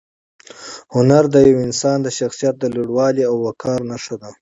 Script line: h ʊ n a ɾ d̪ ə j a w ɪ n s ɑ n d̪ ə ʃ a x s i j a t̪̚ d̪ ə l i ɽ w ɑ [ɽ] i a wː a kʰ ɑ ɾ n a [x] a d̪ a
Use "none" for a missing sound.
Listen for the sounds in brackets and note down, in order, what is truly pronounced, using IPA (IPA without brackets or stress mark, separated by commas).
l, ʂ